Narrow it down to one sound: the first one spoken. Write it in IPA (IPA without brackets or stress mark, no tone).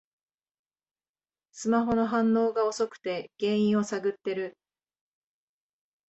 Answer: s